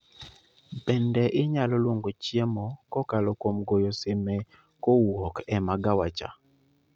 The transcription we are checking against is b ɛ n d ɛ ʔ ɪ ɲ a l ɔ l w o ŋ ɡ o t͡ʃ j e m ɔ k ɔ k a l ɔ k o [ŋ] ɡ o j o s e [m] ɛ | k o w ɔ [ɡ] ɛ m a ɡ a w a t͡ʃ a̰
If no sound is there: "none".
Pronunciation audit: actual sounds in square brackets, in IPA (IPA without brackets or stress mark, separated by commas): m, m, k